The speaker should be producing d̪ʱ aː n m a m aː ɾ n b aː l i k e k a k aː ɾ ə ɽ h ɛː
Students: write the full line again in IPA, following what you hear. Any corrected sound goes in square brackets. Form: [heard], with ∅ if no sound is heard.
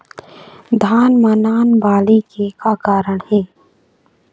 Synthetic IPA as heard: d̪ʱ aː n m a [n] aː [∅] n b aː l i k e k a k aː ɾ ə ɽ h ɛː